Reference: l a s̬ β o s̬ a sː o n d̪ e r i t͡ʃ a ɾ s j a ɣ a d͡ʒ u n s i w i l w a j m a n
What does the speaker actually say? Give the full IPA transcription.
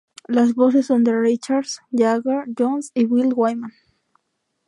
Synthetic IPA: l a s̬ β o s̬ e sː o n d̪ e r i t͡ʃ a ɾ s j a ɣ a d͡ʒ o n s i w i l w a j m a n